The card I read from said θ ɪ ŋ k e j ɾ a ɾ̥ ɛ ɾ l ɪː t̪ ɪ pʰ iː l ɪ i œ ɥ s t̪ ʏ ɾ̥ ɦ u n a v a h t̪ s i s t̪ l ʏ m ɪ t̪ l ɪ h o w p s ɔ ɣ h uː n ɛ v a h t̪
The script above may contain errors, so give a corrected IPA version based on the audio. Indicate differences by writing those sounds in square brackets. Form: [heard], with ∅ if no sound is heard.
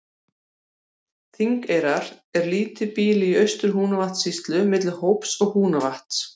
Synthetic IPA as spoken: θ [i] ŋ k e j ɾ a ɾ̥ ɛ ɾ l [iː] t̪ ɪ [p] iː l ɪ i œ ɥ s t̪ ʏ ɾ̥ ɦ [uː] n a v a h t̪ s i s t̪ l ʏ m ɪ t̪ l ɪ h o w p s ɔ ɣ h uː n [a] v a h t̪